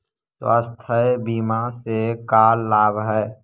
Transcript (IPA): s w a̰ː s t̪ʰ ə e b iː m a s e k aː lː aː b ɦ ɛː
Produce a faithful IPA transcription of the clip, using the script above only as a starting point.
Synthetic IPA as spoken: s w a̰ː s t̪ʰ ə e b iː m a s e k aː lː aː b ɦ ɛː